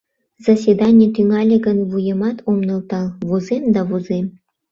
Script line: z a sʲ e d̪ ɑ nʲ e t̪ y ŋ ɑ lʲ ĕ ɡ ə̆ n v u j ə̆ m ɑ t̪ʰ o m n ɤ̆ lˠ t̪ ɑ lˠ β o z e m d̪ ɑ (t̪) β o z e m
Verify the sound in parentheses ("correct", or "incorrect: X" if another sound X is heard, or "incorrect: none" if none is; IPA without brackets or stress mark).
incorrect: none